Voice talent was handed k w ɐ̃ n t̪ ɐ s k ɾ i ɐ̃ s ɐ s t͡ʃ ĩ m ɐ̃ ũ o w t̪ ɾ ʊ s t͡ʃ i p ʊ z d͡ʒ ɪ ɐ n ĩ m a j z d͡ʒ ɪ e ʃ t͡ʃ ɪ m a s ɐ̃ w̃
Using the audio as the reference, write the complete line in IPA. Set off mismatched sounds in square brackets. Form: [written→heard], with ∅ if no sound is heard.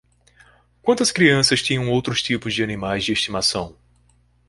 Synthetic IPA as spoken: k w ɐ̃ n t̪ ɐ s k ɾ i ɐ̃ s ɐ s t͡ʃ ĩ [m→ɲ] ɐ̃ [ũ→w̃] o w t̪ ɾ ʊ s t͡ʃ i p ʊ z d͡ʒ ɪ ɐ n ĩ m a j z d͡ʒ ɪ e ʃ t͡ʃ [ɪ→i] m a s ɐ̃ w̃